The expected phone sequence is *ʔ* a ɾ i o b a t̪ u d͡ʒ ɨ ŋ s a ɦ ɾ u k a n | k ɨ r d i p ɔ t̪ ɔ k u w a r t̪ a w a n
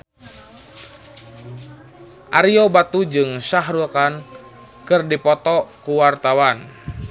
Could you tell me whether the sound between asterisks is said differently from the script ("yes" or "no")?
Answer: no